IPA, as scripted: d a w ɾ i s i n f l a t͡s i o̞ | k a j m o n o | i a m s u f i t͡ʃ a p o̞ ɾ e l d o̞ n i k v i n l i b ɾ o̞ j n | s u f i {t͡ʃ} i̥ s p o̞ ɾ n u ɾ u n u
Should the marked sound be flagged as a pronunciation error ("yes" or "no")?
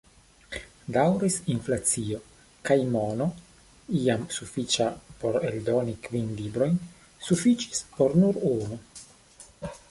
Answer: no